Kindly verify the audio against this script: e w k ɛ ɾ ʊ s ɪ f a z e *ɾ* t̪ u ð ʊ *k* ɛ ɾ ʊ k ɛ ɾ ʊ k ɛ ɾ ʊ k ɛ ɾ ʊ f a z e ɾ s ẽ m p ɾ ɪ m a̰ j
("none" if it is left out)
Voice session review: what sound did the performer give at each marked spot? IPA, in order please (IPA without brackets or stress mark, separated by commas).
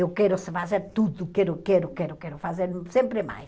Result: ɾ, k